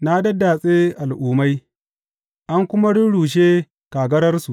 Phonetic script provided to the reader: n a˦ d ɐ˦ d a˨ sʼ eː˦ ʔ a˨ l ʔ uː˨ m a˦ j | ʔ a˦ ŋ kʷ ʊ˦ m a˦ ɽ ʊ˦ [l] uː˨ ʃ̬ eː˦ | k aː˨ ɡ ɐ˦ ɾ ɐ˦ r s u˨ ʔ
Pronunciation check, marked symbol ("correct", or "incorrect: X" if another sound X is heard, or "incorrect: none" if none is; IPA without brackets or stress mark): incorrect: ɽ